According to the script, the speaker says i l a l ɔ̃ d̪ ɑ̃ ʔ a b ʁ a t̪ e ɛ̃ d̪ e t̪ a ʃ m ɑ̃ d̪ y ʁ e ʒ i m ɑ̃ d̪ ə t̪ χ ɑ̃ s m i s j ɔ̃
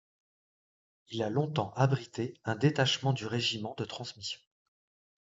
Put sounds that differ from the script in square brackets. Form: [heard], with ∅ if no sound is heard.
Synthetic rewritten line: i l a l ɔ̃ [t̪] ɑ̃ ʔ a b ʁ [i] t̪ e ɛ̃ d̪ e t̪ a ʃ m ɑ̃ d̪ y ʁ e ʒ i m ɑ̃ d̪ ə t̪ χ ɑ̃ s m i s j ɔ̃